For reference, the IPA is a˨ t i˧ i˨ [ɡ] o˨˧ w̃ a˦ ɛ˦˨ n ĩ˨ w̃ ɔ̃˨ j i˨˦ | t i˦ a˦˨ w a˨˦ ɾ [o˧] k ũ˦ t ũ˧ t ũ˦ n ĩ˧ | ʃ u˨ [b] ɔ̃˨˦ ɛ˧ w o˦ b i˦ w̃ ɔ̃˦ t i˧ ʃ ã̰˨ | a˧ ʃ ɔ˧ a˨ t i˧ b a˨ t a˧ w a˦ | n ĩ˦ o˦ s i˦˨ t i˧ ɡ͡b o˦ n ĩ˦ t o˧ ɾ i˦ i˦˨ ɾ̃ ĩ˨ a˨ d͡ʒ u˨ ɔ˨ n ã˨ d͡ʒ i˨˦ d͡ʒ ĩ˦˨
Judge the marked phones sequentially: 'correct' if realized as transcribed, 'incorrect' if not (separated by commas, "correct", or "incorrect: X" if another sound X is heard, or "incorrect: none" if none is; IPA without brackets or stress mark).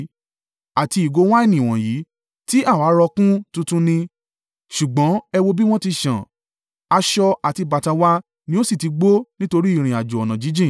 correct, incorrect: ɔ˧, incorrect: ɡ͡b